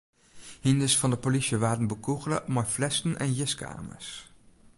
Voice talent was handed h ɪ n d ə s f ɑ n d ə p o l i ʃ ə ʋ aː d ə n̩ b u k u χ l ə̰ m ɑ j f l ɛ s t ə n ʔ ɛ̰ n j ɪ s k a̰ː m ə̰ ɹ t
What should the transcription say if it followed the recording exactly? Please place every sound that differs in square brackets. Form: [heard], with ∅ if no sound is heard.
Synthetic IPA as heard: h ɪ n d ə s f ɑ n d ə p o l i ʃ ə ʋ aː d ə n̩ b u k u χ l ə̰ m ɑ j f l ɛ s t ə n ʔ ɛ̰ n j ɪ s k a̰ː m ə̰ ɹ [s]